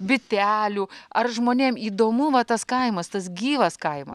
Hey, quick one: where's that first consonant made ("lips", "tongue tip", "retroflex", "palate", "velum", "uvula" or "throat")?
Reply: lips